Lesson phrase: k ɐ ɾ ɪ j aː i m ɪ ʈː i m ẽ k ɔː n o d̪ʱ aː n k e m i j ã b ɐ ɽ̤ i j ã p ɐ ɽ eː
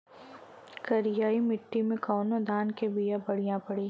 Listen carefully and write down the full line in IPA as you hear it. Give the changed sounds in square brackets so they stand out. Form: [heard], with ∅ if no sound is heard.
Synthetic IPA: k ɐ ɾ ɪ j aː i m ɪ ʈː i m ẽ k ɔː n o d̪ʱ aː n k e [b] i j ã b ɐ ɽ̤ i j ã p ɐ ɽ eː